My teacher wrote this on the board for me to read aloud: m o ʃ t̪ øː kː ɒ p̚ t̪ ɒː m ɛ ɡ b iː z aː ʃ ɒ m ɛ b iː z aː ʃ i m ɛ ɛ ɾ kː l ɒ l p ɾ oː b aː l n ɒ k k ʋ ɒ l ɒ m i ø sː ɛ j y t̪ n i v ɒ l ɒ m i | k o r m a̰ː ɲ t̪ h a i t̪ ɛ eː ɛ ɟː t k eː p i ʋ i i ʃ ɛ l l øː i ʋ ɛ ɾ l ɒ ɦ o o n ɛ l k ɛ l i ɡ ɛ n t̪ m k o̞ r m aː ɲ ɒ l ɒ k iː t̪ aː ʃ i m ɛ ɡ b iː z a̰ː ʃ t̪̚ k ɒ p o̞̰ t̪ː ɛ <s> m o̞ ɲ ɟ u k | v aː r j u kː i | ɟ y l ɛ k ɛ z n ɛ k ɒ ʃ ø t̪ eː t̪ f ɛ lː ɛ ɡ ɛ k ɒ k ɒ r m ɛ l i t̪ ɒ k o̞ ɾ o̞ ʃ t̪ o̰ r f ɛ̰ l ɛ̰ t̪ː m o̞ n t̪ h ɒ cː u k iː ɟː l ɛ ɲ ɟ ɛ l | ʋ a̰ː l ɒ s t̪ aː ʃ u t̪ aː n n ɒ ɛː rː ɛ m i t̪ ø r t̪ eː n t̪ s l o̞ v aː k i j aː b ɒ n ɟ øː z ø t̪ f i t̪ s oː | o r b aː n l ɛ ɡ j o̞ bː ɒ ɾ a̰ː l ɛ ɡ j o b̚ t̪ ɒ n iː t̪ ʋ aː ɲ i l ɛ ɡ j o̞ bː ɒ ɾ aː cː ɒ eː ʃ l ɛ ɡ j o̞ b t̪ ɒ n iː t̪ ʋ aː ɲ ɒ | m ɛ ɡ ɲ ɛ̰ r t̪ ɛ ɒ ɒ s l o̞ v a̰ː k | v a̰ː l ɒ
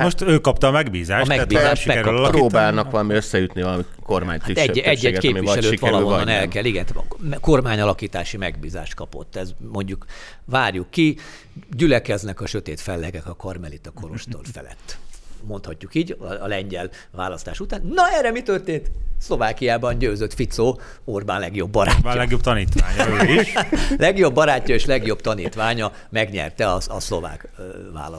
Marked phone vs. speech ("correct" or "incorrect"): incorrect